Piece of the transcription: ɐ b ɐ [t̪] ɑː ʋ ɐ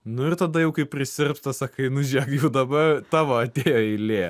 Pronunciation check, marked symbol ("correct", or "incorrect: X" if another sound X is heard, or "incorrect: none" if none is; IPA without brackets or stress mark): correct